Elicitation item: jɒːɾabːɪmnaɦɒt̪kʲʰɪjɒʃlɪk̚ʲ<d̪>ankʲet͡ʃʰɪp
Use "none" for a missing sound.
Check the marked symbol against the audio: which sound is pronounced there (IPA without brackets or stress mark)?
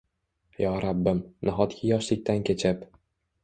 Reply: t̪